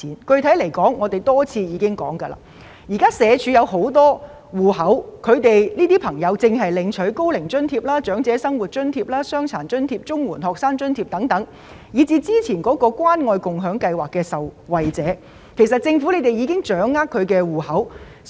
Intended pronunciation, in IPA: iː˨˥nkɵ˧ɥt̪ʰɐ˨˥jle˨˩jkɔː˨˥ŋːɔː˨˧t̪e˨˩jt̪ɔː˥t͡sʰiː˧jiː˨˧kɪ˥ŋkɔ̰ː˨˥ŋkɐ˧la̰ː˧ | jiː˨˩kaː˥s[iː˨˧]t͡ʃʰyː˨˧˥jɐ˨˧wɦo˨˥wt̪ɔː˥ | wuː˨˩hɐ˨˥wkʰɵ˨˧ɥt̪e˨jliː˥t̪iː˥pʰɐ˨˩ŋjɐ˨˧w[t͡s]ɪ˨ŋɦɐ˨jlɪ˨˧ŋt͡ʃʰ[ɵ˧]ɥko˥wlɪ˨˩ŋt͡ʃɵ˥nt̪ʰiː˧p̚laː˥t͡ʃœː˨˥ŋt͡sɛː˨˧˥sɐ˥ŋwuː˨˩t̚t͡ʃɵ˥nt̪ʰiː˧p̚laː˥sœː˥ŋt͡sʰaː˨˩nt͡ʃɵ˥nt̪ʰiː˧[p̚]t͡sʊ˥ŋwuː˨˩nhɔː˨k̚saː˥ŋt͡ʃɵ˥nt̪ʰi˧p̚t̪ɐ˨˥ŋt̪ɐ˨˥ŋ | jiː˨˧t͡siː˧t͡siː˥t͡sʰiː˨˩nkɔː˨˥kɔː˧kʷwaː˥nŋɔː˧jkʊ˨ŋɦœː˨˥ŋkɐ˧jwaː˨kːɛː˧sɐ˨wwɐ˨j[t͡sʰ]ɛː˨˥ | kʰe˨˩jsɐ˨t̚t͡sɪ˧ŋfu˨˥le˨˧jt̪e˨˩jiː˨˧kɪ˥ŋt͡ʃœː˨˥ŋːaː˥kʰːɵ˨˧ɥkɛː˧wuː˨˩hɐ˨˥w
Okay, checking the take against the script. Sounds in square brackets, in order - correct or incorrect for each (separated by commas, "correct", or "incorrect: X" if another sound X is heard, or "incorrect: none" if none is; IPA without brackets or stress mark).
incorrect: ɛː˨˧, correct, incorrect: ɵ˨˥, correct, incorrect: t͡s